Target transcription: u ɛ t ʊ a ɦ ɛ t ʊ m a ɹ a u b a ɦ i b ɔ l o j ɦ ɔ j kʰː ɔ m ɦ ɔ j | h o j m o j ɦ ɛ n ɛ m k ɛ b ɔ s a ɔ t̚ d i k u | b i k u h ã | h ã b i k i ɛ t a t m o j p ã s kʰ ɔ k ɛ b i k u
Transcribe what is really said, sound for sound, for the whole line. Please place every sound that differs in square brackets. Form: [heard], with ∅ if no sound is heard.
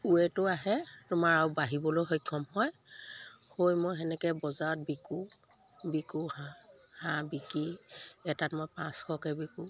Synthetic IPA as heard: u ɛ t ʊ a ɦ ɛ t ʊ m a ɹ a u b a ɦ i b ɔ l o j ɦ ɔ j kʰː ɔ m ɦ ɔ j | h o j m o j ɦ ɛ n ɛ [∅] k ɛ b ɔ [z] a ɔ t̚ [b] i k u | b i k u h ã | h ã b i k i ɛ t a t m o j p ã s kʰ ɔ k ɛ b i k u